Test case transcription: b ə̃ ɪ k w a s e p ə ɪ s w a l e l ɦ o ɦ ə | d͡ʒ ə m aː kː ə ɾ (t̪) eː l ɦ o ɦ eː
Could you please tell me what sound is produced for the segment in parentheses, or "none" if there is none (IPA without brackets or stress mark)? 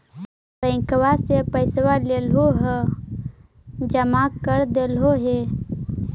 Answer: d̪